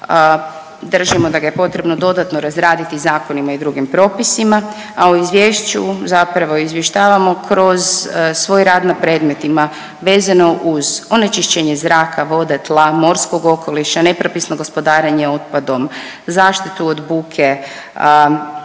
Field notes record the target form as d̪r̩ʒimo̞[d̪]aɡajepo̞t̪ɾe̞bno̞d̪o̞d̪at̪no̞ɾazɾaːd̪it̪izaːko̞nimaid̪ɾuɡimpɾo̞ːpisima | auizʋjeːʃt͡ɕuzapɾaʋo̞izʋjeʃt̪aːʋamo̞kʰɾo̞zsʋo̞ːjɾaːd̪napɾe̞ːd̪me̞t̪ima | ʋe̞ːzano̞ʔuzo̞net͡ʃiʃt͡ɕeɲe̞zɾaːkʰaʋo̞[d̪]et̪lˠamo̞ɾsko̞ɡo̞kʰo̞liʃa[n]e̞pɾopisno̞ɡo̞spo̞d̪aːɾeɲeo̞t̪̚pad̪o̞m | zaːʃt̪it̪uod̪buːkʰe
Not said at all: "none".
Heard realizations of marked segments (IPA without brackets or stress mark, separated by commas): d̪, d̪, n